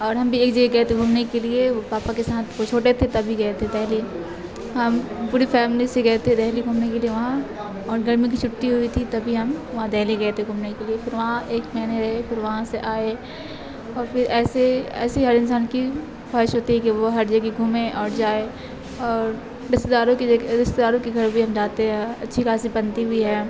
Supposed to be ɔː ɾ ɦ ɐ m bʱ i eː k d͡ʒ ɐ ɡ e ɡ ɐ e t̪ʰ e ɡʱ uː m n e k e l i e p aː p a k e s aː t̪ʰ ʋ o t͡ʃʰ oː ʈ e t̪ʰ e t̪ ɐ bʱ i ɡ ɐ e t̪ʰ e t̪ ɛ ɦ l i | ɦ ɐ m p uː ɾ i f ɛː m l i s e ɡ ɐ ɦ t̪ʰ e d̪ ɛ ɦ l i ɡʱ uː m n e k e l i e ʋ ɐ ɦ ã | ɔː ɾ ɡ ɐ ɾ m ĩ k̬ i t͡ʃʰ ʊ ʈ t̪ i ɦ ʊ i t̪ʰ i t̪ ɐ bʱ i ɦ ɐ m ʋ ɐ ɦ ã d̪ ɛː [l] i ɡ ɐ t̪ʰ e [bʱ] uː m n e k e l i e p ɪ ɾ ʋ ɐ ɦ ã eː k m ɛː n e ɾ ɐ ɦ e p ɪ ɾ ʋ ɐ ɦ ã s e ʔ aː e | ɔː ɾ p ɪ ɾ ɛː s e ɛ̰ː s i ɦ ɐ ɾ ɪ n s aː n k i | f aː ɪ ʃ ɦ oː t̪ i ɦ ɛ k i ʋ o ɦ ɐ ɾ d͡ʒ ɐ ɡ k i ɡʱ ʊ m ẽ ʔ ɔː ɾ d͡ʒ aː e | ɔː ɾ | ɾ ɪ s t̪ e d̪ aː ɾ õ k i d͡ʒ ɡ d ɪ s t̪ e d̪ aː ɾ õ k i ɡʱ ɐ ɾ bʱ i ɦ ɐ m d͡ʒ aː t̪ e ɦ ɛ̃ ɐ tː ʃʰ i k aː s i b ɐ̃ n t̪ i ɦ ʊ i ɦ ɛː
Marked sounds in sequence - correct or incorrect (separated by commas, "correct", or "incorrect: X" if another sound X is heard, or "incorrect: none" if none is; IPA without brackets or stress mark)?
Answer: correct, incorrect: ɡʱ